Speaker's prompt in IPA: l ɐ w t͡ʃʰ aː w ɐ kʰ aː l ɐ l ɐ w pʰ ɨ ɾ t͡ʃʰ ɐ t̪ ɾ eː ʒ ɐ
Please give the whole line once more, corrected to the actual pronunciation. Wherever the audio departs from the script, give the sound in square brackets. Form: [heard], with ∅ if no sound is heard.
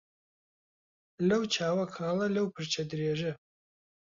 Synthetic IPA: l ɐ w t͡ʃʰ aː w ɐ kʰ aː l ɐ l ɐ w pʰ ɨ ɾ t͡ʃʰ ɐ [d̪] ɾ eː ʒ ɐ